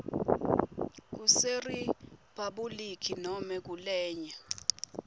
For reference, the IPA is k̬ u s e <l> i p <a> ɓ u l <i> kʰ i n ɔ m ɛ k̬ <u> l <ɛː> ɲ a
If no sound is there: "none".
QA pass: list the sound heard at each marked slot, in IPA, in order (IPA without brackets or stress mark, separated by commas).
r, a, i, u, ɛː